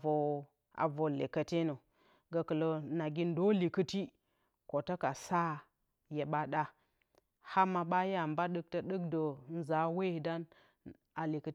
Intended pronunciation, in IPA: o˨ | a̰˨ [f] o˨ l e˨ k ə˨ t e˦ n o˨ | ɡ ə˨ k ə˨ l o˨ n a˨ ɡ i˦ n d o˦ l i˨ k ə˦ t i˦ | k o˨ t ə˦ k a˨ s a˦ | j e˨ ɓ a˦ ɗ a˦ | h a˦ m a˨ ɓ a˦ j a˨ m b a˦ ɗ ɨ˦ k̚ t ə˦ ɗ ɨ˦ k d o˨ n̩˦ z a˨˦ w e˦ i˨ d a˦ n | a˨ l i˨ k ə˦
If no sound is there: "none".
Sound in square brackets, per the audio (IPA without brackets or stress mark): v